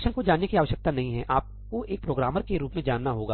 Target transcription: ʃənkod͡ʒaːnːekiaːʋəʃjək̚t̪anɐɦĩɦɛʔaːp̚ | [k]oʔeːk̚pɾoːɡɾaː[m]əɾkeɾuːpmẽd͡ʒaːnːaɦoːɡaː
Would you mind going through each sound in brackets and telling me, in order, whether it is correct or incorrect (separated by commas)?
correct, correct